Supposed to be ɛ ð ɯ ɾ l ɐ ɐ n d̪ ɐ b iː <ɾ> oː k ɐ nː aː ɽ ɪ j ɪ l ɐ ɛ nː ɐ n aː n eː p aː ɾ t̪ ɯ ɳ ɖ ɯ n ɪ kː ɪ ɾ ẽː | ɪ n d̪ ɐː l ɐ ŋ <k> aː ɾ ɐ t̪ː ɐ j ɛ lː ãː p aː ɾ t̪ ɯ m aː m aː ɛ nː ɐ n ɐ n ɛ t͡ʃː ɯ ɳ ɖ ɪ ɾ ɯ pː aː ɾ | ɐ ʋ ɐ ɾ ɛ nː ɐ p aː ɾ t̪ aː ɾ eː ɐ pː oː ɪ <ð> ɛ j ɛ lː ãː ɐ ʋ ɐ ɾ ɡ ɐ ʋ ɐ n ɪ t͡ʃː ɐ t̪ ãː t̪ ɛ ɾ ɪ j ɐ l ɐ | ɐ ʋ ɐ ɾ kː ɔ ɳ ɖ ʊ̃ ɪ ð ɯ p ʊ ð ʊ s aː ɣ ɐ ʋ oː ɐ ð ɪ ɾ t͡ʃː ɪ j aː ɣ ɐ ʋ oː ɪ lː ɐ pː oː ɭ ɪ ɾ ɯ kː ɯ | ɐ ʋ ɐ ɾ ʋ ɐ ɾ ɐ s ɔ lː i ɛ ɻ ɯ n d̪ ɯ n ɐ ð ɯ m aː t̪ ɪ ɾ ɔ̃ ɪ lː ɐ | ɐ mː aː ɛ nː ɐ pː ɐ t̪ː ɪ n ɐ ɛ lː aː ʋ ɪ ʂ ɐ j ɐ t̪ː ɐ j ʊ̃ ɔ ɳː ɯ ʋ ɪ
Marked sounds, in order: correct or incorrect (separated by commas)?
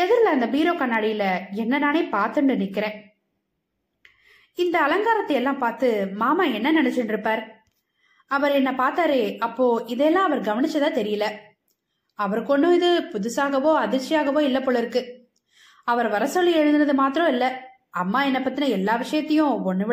correct, incorrect, correct